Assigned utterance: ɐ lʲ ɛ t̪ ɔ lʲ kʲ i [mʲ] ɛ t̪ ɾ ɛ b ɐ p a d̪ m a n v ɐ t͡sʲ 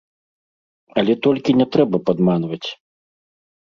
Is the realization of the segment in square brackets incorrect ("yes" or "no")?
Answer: yes